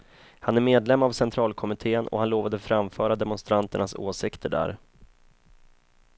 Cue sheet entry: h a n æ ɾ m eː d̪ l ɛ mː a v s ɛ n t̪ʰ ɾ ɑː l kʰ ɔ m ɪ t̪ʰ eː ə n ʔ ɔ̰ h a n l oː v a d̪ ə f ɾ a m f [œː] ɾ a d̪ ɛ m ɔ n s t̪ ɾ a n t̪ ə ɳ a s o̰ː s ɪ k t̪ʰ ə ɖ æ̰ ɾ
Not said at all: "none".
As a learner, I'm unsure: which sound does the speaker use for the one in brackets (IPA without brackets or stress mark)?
œː